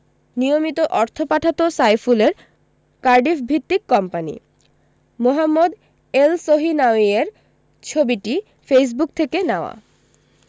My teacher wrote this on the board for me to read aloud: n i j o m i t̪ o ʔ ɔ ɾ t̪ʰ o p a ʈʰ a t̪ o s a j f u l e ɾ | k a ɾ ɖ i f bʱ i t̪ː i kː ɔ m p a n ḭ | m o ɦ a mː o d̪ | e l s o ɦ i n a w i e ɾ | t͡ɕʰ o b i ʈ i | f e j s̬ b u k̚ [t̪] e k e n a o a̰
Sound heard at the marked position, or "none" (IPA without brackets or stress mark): t̪ʰ